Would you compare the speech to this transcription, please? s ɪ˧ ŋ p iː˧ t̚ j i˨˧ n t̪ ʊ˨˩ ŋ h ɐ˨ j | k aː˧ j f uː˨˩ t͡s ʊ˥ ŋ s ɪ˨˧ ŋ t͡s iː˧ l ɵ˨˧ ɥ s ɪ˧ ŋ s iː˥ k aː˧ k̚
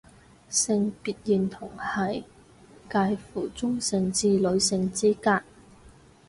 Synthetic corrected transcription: s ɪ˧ ŋ p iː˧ t̚ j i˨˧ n t̪ʰ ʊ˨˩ ŋ h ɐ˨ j | k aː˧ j f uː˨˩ t͡s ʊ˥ ŋ s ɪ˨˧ ŋ t͡s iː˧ l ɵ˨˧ ɥ s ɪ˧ ŋ t͡s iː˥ k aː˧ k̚

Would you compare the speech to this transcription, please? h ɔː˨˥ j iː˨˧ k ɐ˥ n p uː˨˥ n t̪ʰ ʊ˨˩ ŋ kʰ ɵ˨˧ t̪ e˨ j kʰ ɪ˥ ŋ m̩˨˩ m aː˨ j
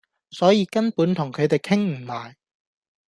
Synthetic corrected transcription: s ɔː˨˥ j iː˨˧ k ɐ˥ n p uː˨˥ n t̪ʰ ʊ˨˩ ŋ kʰ ɵ˨˧ t̪ e˨ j kʰ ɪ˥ ŋ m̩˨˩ m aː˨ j

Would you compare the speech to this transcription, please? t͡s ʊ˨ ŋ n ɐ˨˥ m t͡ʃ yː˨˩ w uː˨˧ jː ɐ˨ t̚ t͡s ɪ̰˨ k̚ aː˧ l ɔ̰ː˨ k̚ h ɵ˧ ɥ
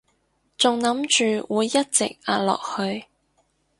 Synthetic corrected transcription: t͡s ʊ˨ ŋ n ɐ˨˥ m t͡ʃ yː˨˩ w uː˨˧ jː ɐ˥ t̚ t͡s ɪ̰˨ k̚ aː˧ l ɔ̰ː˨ k̚ h ɵ˧ ɥ

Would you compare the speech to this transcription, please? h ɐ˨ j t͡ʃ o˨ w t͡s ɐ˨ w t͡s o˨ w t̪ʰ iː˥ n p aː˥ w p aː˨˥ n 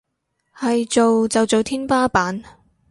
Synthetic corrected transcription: h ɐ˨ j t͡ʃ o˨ w t͡s ɐ˨ w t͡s o˨ w t̪ʰ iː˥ n p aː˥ p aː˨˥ n

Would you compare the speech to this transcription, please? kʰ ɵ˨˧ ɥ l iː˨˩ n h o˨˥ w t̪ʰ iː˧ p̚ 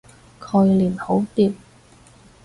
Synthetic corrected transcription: kʰ ɵ˨˧ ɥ l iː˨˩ n h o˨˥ w t̪ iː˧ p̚

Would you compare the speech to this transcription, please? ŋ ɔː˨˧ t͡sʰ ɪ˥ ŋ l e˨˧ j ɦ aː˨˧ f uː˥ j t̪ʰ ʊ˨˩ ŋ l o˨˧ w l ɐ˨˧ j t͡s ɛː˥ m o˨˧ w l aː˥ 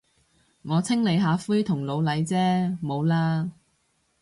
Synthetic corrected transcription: ŋ ɔː˨˧ t͡sʰ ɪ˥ ŋ l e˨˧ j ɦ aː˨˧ f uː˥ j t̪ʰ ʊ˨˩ ŋ l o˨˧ w l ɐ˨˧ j t͡s ɛː˥ m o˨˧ w l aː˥

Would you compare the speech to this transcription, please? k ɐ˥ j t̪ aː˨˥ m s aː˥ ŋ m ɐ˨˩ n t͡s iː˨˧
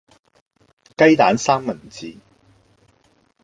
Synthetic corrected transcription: k ɐ˥ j t̪ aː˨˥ n s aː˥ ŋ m ɐ˨˩ n t͡s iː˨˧

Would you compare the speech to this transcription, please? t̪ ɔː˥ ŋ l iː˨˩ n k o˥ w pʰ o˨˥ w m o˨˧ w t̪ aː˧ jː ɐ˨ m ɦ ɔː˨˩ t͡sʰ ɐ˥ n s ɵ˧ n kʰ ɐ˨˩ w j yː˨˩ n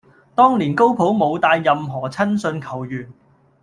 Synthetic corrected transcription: t̪ ɔː˥ ŋ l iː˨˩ n k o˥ w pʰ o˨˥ w m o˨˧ w t̪ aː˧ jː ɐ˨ m ɦ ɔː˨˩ t͡sʰ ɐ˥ n s ɵ˧ n kʰ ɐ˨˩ w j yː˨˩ n

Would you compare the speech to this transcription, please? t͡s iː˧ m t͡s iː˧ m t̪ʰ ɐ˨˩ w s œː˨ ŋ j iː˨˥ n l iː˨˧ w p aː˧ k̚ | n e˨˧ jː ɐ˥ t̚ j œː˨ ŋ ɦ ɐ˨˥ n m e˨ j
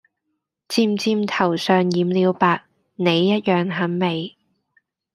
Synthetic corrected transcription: t͡s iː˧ m t͡s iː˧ m t̪ʰ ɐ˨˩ w s œː˨ ŋ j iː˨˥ m l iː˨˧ w p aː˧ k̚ | n e˨˧ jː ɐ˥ t̚ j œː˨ ŋ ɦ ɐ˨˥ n m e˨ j

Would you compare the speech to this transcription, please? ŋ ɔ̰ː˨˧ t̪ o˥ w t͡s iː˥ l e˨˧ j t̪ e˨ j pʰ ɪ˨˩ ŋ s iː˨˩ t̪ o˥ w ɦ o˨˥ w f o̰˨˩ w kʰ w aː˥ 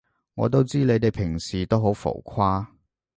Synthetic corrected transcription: ŋ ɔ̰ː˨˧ t̪ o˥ w t͡s iː˥ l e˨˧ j t̪ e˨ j pʰ ɪ˨˩ ŋ s iː˨˩ t̪ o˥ w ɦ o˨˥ w f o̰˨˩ w kʰ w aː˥

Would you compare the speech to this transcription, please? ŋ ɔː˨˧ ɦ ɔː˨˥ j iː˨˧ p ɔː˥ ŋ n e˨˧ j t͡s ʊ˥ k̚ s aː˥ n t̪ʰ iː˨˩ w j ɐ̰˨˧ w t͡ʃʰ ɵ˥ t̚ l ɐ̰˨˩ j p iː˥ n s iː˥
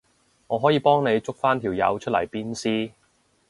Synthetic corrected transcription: ŋ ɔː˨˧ ɦ ɔː˨˥ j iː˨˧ p ɔː˥ ŋ n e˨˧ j t͡s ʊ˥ k̚ f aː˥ n t̪ʰ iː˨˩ w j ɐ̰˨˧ w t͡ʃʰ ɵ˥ t̚ l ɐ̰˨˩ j p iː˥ n s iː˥

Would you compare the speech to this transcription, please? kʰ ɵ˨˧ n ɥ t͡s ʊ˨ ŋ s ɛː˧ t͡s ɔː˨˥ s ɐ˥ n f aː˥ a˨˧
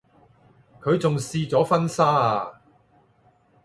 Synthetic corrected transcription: kʰ ɵ˨˧ ɥ t͡s ʊ˨ ŋ s iː˧ t͡s ɔː˨˥ f ɐ˥ n s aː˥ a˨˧

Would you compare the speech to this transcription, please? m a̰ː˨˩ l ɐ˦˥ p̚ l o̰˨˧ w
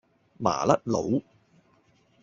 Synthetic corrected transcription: m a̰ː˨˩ l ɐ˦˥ t̚ l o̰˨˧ w

